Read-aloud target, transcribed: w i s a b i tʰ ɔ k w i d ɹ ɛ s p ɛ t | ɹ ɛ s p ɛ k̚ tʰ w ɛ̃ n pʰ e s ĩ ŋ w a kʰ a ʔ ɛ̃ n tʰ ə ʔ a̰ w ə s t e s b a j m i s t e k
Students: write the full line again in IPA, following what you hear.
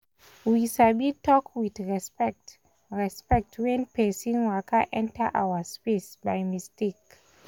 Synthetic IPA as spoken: w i s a b i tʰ ɔ k w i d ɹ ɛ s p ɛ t | ɹ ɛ s p ɛ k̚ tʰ w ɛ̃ n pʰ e s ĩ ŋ w a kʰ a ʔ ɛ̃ n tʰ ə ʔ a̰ w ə s p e s b a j m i s t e k

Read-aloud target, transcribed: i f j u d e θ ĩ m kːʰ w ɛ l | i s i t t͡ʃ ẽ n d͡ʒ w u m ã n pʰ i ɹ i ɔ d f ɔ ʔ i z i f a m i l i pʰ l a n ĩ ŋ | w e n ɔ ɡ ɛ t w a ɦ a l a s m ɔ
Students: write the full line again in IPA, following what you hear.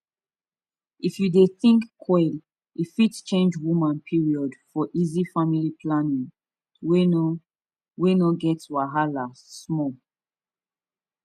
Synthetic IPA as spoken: i f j u d e θ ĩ ŋ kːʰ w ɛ l | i f i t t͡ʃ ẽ n d͡ʒ w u m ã n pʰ i ɹ i ɔ d f ɔ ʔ i z i f a m i l i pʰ l a n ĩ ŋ | w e n ɔ ɡ ɛ t w a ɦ a l a s m ɔ

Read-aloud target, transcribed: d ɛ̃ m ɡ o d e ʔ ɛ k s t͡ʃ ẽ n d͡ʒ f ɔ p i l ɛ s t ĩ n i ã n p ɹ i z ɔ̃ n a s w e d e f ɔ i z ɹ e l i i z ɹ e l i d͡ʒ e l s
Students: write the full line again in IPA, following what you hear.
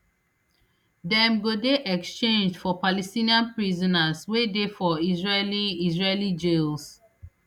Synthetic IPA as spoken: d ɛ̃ m ɡ o d e ʔ ɛ k s t͡ʃ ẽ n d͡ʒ f ɔ p a l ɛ s t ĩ n i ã n p ɹ i z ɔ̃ n a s w e d e f ɔ i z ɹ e l i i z ɹ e l i d͡ʒ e l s

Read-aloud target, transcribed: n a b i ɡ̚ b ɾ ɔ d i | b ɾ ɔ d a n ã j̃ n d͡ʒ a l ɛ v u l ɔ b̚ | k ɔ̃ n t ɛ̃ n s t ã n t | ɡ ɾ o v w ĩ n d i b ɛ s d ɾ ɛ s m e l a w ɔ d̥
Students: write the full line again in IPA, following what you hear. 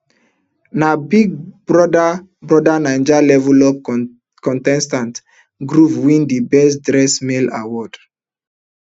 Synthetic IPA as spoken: n a b i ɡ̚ b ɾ ɔ d a | b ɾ ɔ d a n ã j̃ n d͡ʒ a l ɛ v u l ɔ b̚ | k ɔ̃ n t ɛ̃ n s t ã n t | ɡ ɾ u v w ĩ n d i b ɛ s d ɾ ɛ s m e l a w ɔ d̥

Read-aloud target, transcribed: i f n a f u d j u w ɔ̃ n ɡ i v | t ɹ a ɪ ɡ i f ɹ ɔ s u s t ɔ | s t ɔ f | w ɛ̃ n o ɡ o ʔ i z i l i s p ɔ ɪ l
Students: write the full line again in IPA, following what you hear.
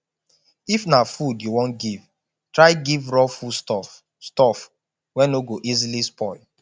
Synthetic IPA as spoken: i f n a f u d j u w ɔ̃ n ɡ i v | t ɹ a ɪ ɡ i v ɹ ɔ f u s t ɔ | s t ɔ f | w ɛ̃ n o ɡ o ʔ i z i l i s p ɔ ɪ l

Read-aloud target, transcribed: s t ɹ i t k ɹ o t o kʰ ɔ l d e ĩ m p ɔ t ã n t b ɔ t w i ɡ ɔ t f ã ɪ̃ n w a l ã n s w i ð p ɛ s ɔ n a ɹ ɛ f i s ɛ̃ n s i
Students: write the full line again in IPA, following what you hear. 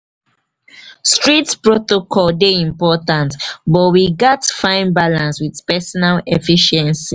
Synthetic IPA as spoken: s t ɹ i t p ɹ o t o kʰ ɔ l d e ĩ m p ɔ t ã n t b ɔ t w i ɡ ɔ t f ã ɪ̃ n b a l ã n s w i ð p ɛ s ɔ n a l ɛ f i ʃ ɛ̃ n s i

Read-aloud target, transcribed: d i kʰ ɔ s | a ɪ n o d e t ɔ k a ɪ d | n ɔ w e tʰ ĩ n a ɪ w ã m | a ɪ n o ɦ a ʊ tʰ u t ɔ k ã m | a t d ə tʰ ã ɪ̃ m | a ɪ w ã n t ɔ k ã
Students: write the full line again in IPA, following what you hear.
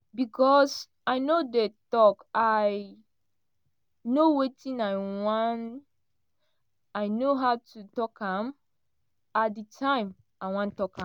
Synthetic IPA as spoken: b i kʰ ɔ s | a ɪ n o d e t ɔ k a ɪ | n o w e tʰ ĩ n a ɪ w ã n | a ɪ n o ɦ a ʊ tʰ u t ɔ k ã m | a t d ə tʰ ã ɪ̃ m | a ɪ w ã n t ɔ k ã

